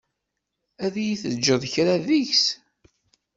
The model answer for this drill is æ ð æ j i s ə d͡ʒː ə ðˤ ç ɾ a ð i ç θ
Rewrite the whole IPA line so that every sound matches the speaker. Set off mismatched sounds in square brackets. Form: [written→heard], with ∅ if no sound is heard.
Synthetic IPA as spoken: æ ð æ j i [s→θ] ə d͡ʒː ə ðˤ ç ɾ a ð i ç [θ→s]